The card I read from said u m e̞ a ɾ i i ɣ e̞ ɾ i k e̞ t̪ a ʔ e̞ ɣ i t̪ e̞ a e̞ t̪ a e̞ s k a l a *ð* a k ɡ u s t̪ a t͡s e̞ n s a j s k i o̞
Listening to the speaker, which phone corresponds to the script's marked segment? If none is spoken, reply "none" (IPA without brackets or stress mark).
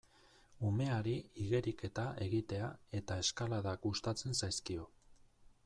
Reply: ð